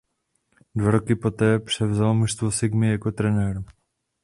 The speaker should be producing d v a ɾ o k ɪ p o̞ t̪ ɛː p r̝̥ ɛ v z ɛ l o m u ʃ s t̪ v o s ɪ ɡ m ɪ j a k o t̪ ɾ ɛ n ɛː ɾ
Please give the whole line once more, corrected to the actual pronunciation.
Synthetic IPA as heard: d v a ɾ o k ɪ p o̞ t̪ ɛː p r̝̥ ɛ v z a l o m u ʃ s t̪ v o s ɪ ɡ m ɪ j a k o t̪ ɾ ɛ n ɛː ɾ